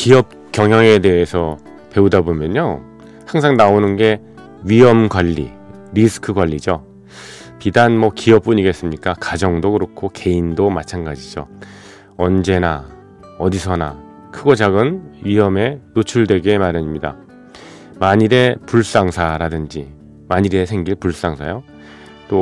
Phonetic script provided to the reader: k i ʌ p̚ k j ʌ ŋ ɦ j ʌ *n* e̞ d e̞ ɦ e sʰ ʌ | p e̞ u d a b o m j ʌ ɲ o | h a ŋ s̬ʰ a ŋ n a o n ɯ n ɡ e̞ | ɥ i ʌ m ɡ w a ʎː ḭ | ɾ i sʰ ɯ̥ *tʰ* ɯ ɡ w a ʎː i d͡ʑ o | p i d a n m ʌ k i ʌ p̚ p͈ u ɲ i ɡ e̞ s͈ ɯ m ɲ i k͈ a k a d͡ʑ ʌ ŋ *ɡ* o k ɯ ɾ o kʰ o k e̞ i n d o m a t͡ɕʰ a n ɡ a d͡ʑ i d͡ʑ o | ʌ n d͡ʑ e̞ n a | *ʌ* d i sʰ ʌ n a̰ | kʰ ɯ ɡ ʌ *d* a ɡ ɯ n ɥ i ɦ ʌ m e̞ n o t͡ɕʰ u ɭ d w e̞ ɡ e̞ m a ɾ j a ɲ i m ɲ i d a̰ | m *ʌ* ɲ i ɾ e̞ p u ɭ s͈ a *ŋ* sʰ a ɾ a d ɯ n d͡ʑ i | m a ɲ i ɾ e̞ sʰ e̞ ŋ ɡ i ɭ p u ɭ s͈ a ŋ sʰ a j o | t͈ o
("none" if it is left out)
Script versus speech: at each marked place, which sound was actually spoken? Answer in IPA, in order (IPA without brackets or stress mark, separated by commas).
ŋ, kʰ, d, ʌ, d͡ʑ, a, ŋ